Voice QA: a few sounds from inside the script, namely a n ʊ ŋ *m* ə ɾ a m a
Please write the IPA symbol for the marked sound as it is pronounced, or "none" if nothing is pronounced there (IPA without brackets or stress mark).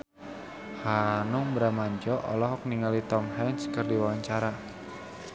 b